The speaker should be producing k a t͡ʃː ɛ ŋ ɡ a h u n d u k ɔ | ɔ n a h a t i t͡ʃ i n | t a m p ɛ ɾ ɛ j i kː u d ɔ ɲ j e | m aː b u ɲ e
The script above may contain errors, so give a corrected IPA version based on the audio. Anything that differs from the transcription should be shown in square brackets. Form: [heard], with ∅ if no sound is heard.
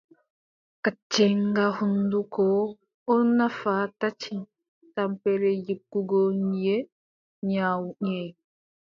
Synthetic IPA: k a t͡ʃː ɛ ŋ ɡ a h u n d u k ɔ | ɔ n a [f] a t [a] t͡ʃ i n | t a m p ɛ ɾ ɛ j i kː u [ɡ] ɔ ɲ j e | [ɲ] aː [w] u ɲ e